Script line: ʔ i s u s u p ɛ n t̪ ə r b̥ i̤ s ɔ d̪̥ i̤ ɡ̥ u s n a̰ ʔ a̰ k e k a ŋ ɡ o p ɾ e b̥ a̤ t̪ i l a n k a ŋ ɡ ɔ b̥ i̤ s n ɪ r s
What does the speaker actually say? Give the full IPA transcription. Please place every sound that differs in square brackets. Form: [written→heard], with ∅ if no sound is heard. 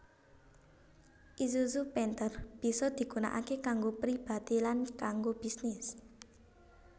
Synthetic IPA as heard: ʔ i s u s u p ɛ n t̪ ə r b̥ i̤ s ɔ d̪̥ i̤ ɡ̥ u [s→∅] n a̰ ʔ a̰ k e k a ŋ ɡ o p ɾ [e→i] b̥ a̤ t̪ i l a n k a ŋ ɡ [ɔ→o] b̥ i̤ s n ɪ [r→∅] s